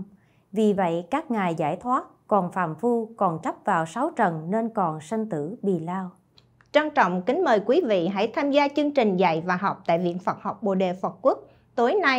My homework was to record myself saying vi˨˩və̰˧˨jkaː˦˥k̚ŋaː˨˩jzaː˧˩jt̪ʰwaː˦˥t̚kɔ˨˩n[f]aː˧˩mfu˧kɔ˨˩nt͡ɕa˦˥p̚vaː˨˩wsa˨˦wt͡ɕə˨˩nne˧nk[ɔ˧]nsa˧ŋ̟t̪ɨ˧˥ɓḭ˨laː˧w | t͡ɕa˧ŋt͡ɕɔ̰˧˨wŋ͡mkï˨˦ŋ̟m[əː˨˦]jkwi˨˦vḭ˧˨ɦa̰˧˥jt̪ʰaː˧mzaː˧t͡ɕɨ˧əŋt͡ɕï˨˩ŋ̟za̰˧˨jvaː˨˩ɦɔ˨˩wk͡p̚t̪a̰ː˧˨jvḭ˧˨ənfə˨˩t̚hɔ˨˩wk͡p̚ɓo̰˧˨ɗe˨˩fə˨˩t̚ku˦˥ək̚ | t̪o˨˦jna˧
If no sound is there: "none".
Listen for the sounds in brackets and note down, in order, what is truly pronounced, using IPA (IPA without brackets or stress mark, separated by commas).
f, ɔ˨˩, əː˨˩